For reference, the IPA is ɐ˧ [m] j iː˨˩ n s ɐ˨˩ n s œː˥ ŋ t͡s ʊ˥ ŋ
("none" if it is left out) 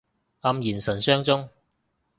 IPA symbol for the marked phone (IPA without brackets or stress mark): m